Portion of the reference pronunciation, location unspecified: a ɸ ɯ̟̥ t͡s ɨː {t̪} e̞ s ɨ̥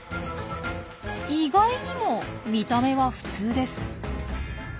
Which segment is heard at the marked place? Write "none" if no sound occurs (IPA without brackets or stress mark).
d̪